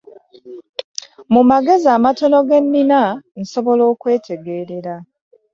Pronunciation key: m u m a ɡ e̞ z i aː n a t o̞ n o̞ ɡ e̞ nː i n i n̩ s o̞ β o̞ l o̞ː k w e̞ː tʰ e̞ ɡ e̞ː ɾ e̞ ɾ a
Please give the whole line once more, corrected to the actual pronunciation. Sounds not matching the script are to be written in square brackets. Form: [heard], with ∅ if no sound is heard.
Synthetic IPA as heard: m u m a ɡ e̞ z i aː [m] a t o̞ n o̞ ɡ e̞ nː i n [a] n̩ s o̞ β o̞ l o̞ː k w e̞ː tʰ e̞ ɡ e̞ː ɾ e̞ ɾ a